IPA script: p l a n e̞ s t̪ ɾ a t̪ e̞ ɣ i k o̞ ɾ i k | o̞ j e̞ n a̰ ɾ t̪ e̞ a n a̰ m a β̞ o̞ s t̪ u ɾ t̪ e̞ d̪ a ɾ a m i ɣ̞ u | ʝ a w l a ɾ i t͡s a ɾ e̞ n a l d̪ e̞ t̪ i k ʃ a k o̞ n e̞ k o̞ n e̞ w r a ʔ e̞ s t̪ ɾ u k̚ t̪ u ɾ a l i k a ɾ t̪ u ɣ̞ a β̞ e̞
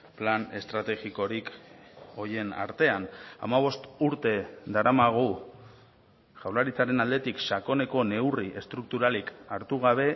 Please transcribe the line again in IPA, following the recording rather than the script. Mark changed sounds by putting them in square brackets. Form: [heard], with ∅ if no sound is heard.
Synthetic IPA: p l a n e̞ s t̪ ɾ a t̪ e̞ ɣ i k o̞ ɾ i k | o̞ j e̞ n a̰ ɾ t̪ e̞ a n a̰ m a β̞ o̞ s t̪ u ɾ t̪ e̞ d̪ a ɾ a m [a] ɣ̞ u | ʝ a w l a ɾ i t͡s a ɾ e̞ n a l d̪ e̞ t̪ i k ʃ a k o̞ n e̞ k o̞ n e̞ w r [i] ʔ e̞ s t̪ ɾ u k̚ t̪ u ɾ a l i k a ɾ t̪ u ɣ̞ a β̞ e̞